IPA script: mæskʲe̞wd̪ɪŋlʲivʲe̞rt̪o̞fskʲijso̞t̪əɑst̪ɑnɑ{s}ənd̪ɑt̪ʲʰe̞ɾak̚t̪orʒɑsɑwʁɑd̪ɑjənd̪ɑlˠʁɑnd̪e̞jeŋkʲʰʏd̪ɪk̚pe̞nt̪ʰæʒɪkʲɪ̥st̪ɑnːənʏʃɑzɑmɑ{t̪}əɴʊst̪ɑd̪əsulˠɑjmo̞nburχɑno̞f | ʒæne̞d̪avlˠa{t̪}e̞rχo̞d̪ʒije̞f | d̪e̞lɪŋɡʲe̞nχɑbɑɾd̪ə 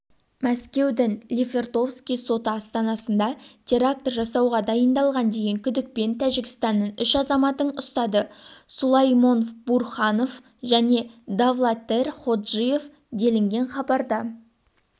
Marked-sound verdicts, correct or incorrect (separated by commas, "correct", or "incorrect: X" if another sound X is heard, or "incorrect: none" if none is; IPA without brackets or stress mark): correct, correct, correct